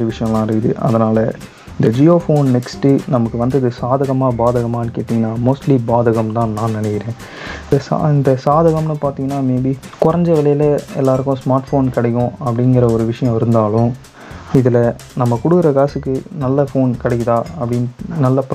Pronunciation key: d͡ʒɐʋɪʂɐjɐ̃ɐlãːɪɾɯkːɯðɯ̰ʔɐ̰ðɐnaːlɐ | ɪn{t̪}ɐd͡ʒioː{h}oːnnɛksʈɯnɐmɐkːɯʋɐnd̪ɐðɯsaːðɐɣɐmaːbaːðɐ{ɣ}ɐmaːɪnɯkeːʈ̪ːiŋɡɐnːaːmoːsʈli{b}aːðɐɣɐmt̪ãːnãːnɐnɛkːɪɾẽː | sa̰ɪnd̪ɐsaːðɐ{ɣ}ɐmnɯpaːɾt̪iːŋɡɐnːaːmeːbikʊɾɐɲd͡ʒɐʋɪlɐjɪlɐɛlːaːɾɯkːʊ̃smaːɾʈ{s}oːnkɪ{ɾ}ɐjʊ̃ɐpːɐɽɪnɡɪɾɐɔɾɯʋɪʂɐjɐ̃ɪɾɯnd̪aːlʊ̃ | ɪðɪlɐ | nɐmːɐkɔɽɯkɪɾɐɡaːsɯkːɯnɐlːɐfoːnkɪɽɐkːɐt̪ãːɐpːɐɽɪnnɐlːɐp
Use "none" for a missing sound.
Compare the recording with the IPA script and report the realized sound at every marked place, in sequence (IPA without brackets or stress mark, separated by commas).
d̪, f, ɣ, b, ɣ, f, ɽ